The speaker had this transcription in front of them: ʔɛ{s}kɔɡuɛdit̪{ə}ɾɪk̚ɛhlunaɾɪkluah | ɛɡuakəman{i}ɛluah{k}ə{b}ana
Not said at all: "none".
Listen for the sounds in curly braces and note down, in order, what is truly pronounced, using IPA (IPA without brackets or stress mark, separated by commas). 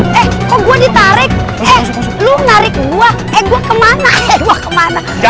h, a, a, k, m